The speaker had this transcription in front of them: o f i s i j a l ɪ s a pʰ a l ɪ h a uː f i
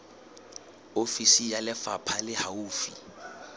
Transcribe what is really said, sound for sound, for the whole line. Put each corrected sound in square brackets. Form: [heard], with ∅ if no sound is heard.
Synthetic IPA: o f i s i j a l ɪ [f] a pʰ a l ɪ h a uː f i